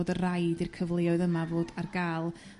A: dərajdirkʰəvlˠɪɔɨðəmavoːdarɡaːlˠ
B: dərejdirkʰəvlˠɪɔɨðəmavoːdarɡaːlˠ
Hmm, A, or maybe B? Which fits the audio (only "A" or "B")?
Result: A